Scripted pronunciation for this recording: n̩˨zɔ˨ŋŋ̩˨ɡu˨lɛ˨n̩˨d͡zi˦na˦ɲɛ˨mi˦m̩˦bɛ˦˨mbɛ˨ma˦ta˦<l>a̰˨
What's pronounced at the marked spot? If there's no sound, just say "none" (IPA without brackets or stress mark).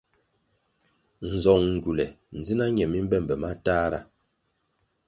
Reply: ɾ